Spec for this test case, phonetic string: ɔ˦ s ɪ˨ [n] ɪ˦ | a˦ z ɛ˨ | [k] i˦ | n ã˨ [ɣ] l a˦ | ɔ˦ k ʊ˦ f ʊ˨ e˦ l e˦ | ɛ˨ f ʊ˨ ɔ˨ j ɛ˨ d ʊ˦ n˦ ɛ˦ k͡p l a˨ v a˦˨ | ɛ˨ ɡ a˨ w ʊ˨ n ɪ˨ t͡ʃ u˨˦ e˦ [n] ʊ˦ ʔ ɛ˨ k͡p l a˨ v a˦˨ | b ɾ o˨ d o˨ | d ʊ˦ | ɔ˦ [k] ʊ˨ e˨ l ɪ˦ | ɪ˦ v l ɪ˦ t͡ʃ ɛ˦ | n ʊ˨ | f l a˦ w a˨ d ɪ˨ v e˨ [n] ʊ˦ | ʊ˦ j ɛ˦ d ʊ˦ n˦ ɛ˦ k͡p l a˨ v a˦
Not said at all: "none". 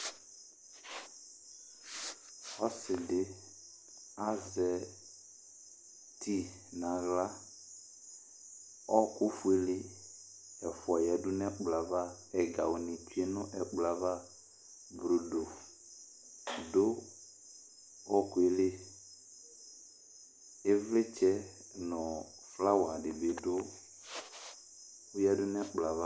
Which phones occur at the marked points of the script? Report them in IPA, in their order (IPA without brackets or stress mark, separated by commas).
d, t, ɣ, n, k, d